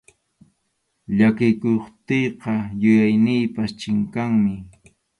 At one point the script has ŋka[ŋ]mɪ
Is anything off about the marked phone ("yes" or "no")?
no